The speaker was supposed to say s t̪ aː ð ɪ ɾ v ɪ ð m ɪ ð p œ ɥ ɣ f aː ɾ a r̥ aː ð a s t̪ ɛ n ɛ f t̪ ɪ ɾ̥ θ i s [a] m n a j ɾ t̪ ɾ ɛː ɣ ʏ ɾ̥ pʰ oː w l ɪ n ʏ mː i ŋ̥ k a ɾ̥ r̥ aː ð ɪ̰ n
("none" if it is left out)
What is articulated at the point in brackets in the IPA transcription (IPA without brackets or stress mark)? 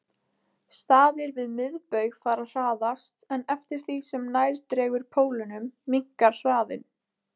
ɛ